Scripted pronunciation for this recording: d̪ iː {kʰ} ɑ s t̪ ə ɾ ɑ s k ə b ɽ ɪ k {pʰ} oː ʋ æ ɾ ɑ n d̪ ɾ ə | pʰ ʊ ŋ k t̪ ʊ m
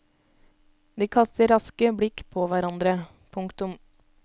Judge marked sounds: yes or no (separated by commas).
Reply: yes, yes